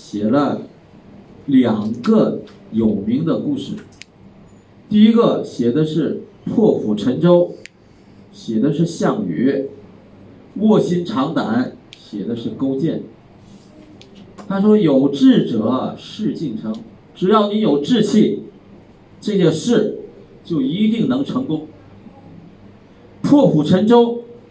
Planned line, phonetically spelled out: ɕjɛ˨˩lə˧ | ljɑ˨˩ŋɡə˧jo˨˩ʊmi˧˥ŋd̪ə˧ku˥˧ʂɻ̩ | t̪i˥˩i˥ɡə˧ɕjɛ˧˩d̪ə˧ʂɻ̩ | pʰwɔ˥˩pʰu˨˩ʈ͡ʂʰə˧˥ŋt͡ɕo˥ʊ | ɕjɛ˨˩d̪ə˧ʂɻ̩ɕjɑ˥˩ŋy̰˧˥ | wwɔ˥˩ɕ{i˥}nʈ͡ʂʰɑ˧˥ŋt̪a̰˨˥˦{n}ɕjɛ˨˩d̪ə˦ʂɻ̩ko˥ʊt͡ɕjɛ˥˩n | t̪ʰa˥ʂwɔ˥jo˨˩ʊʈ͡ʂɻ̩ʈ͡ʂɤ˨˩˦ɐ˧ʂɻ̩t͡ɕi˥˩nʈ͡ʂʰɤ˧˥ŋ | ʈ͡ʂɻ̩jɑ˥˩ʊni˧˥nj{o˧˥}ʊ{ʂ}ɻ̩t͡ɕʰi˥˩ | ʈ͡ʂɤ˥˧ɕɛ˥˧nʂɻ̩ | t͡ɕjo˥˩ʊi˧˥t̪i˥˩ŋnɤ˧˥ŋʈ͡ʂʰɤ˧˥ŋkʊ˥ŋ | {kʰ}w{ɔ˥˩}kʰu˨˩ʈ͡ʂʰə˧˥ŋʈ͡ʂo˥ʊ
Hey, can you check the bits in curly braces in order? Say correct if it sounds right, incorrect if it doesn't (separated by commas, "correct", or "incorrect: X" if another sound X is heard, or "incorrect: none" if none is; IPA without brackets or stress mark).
correct, correct, incorrect: o˨˩, incorrect: ʈ͡ʂ, incorrect: pʰ, correct